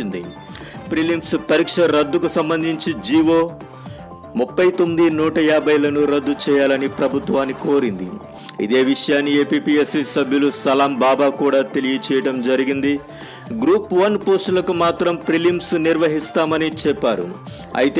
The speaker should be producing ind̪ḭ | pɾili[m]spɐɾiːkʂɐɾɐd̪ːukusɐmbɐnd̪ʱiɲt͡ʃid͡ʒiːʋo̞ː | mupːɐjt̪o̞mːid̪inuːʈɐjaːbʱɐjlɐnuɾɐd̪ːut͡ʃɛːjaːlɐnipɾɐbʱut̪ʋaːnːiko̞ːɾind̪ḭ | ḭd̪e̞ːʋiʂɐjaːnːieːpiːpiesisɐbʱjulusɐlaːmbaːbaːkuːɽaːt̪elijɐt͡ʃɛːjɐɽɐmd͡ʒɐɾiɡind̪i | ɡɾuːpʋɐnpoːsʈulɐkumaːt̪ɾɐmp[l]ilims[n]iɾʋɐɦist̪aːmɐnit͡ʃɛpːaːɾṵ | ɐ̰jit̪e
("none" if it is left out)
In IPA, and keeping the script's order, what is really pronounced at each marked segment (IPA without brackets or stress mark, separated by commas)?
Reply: m, ɾ, n